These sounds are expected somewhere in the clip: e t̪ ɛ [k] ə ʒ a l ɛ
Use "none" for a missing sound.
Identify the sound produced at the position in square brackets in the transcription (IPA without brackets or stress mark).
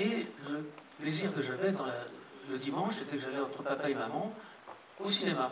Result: k